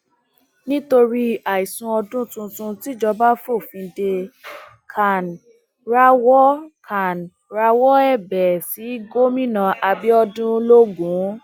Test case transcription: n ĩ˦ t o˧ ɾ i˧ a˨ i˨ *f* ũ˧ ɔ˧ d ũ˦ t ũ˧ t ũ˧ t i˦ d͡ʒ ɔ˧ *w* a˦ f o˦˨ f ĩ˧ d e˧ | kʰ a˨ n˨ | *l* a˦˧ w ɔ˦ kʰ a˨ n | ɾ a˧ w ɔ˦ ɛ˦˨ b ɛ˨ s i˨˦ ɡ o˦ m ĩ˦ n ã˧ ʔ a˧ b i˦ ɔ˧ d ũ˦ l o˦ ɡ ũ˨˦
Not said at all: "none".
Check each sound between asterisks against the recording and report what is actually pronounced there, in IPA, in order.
s, b, ɾ

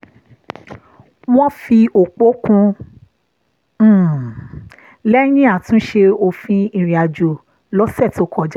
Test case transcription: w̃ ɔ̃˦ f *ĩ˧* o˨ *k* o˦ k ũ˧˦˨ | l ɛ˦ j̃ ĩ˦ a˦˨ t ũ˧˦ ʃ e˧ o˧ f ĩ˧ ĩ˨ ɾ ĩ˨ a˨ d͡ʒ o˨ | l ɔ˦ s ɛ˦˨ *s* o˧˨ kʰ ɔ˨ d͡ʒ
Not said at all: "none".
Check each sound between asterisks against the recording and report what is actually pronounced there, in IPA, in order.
i˧, k͡p, t

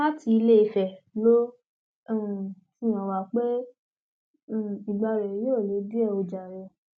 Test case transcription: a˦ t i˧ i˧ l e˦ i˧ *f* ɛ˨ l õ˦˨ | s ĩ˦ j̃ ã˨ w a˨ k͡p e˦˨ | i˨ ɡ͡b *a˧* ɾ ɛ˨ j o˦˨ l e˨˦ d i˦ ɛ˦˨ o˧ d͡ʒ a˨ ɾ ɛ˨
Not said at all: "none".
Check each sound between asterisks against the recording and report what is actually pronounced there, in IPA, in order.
f, a˧

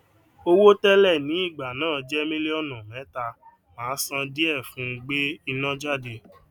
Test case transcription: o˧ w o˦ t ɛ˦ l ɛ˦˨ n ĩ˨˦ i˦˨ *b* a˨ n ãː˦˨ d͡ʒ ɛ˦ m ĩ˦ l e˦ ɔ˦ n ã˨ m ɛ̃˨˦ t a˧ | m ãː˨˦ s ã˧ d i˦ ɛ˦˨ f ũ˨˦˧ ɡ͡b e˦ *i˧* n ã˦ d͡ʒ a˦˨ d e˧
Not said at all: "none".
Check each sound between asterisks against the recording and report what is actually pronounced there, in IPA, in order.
ɡ͡b, i˧

